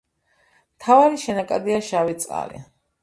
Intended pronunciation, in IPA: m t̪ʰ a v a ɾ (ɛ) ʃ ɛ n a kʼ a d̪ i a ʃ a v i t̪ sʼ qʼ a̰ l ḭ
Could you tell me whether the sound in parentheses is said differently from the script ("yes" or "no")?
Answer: yes